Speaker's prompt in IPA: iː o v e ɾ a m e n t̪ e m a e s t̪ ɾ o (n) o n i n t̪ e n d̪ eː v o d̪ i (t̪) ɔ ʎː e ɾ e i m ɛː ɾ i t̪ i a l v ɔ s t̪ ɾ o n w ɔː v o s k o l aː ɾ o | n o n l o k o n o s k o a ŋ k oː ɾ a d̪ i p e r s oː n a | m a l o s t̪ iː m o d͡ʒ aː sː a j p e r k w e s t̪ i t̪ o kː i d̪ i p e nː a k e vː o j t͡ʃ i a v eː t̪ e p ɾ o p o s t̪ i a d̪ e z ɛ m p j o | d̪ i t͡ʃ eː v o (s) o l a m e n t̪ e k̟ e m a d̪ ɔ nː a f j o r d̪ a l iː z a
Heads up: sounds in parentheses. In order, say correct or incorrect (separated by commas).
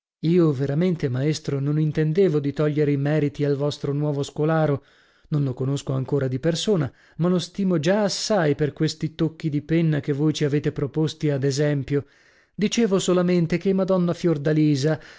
correct, correct, correct